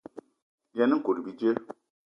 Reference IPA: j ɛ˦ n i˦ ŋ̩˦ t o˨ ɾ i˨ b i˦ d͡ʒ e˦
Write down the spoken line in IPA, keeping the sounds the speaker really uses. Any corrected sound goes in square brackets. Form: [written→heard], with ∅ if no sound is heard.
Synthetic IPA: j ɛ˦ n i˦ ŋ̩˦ [t→k] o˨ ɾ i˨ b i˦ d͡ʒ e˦